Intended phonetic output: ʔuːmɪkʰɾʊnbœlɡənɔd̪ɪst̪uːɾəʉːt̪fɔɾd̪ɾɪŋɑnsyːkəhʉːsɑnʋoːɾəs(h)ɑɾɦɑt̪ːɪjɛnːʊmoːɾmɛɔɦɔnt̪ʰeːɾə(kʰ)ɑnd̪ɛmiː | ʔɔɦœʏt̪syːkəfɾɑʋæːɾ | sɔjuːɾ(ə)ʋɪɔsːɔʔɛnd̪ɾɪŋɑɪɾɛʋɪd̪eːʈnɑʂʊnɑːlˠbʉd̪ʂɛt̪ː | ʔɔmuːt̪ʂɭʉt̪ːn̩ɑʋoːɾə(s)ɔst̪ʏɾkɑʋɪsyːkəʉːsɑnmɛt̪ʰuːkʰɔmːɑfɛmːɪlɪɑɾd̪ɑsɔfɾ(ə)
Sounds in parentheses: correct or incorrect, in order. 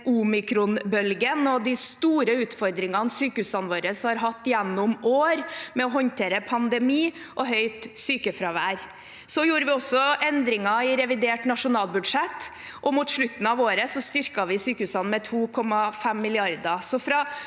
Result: correct, incorrect, correct, correct, incorrect

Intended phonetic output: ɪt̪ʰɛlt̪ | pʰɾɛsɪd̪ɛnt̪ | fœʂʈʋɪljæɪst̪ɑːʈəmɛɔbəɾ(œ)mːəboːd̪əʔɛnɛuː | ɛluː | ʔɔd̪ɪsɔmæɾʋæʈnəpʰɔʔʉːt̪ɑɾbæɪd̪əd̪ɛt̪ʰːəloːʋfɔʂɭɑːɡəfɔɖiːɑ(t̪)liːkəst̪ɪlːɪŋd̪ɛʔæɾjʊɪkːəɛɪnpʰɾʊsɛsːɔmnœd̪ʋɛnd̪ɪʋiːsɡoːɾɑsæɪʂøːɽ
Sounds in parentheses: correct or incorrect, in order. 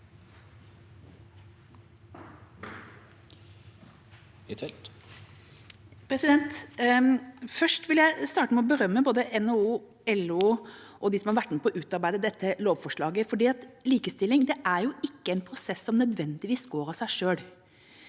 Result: correct, correct

